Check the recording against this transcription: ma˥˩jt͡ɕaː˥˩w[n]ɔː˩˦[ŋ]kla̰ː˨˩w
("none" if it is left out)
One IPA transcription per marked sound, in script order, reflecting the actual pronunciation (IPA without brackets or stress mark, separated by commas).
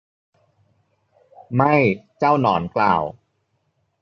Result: n, n